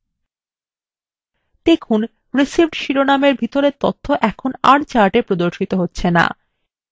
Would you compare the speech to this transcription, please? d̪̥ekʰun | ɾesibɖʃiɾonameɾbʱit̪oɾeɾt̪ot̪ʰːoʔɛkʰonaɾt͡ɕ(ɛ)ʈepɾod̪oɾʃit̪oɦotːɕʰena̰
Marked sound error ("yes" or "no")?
yes